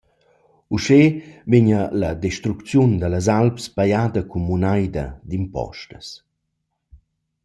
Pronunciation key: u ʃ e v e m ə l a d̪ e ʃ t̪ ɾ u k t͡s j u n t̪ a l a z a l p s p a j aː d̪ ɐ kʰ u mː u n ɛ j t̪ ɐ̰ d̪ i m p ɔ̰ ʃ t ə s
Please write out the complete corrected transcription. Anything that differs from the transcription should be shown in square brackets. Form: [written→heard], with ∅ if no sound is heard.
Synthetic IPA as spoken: u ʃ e v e [m→ɲ] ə l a d̪ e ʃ t̪ ɾ u k t͡s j u n [t̪→d̪] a l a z a l p s p a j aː d̪ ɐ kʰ u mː u n [ɛ→a] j [t̪→d̪] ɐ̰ d̪ i m p ɔ̰ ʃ t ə s